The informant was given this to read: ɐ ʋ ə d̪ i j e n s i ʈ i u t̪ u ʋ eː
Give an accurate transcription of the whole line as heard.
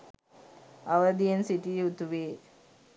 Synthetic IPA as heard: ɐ ʋ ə d̪ i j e n s i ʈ i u t̪ u ʋ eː